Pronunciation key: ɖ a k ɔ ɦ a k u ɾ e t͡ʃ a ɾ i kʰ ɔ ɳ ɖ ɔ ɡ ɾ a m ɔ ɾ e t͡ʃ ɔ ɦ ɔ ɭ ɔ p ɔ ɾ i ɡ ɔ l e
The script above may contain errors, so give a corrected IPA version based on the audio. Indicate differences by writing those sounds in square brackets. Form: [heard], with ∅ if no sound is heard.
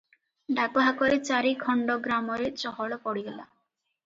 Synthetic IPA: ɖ a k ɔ ɦ a k [ɔ] ɾ e t͡ʃ a ɾ i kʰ ɔ ɳ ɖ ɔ ɡ ɾ a m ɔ ɾ e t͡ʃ ɔ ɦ ɔ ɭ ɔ p ɔ [ɽ] i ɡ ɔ l [a]